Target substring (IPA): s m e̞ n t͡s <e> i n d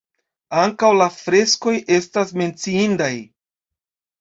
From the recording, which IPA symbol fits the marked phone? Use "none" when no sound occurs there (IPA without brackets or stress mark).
i